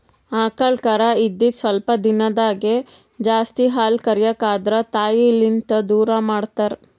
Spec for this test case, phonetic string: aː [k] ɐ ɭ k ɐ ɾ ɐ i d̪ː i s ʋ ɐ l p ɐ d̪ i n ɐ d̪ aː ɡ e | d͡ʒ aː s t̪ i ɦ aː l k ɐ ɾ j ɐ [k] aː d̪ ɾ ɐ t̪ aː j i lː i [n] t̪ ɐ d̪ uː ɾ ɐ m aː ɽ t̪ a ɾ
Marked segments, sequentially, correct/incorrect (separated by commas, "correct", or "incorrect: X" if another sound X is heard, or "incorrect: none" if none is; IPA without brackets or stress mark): correct, correct, correct